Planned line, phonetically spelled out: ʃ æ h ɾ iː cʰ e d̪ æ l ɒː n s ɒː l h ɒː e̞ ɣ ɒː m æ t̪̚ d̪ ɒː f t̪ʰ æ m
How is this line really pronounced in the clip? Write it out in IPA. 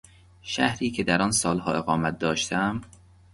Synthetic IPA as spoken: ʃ æ h ɾ iː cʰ e d̪ æ ɾ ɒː n s ɒː l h ɒː e̞ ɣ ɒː m æ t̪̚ d̪ ɒː ʃ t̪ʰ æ m

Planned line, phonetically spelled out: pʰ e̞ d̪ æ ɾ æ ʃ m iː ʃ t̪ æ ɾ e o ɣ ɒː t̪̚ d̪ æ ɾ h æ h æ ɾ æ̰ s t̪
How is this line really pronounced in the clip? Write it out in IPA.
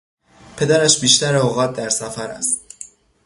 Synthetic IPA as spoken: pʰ e̞ d̪ æ ɾ æ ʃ b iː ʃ t̪ æ ɾ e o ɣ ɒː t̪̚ d̪ æ ɾ s æ f æ ɾ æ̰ s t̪

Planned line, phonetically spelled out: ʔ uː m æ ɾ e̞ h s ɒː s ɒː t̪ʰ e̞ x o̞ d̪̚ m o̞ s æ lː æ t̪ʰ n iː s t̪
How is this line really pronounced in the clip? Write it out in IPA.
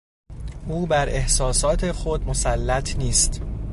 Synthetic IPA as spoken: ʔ uː b æ ɾ e̞ h s ɒː s ɒː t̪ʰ e̞ x o̞ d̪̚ m o̞ s æ lː æ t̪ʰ n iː s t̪

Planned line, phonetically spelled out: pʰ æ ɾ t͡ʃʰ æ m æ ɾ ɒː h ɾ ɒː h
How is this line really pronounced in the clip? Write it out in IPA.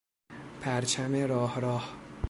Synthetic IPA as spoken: pʰ æ ɾ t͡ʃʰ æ m e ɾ ɒː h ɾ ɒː h

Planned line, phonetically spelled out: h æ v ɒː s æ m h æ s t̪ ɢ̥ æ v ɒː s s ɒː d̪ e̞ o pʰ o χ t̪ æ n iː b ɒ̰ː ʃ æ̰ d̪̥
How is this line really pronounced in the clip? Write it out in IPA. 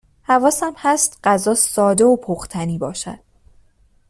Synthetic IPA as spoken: h æ v ɒː s æ m h æ s t̪ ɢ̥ æ z ɒː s s ɒː d̪ e̞ o pʰ o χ t̪ʰ æ n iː b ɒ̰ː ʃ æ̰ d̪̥

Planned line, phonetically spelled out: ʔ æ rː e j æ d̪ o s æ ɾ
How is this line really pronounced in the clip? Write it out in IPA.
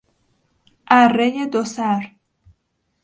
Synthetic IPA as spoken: ʔ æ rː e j e d̪ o s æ ɾ

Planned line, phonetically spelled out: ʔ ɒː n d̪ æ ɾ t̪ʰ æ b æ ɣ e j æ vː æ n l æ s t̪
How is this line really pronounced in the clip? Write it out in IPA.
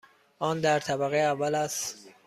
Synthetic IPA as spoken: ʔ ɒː n d̪ æ ɾ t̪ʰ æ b æ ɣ e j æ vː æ l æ s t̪

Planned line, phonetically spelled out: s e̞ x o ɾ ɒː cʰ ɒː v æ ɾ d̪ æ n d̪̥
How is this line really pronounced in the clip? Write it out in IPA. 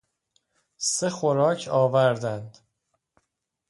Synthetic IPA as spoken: s e̞ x o ɾ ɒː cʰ ɒː v æ ɾ d̪ æ n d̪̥

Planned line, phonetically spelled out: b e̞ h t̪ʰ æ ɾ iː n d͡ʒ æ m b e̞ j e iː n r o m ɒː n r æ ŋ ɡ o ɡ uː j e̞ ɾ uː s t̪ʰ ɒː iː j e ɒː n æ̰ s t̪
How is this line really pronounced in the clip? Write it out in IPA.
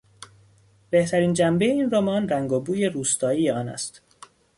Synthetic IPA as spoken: b e̞ h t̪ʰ æ ɾ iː n d͡ʒ æ m b e̞ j e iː n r o m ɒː n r æ ŋ ɡ o b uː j e̞ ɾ uː s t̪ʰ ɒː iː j e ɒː n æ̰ s t̪

